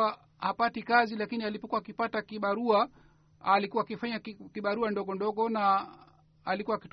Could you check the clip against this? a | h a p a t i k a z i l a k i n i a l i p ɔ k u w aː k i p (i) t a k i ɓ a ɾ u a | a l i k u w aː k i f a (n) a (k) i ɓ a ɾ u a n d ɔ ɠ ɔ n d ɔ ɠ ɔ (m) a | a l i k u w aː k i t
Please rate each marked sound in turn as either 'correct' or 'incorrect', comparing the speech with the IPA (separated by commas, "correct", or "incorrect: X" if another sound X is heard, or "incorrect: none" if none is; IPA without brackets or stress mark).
incorrect: a, incorrect: ɲ, correct, incorrect: n